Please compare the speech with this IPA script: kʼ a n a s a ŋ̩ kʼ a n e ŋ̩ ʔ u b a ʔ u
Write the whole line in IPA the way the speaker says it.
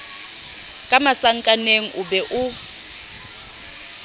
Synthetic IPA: kʼ a m a s a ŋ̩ kʼ a n e ŋ̩ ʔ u b ɛ ʔ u